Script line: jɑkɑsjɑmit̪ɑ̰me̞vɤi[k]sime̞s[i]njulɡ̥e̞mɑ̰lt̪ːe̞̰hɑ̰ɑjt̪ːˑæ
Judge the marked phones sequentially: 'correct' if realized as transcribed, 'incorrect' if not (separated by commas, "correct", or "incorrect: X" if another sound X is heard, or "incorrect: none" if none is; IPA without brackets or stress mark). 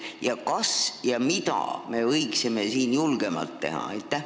correct, incorrect: iː